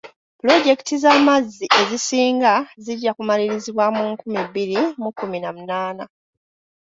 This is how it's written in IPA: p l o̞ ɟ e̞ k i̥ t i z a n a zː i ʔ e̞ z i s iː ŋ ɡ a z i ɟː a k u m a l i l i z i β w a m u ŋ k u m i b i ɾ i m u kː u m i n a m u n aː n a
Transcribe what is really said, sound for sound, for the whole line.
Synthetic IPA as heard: p l o̞ ɟ e̞ k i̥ t i z a m a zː i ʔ e̞ z i s iː ŋ ɡ a z i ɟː a k u m a l i ɾ i z i β w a m u ŋ k u m i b i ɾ i m u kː u m i n a m u n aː n a